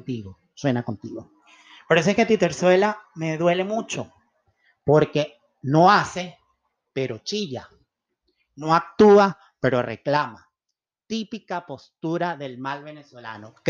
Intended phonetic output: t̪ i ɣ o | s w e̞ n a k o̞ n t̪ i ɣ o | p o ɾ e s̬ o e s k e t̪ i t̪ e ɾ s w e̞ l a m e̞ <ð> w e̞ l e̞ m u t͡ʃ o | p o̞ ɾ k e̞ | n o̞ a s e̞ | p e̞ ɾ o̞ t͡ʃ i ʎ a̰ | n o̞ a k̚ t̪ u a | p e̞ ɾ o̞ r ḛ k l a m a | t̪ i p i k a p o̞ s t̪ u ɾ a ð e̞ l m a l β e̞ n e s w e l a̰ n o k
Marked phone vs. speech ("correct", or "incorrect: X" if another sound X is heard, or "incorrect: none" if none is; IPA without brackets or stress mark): correct